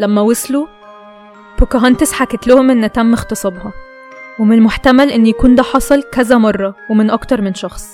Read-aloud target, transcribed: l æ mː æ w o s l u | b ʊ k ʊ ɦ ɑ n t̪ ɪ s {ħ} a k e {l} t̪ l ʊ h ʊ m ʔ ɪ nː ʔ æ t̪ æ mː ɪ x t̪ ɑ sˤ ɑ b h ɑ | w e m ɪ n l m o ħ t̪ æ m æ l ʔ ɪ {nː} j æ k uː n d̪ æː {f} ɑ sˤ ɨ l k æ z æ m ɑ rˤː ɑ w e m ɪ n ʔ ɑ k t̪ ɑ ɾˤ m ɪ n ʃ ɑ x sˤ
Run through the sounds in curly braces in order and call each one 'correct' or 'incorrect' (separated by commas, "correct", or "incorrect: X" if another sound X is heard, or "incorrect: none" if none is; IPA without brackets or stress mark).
correct, incorrect: none, correct, incorrect: ħ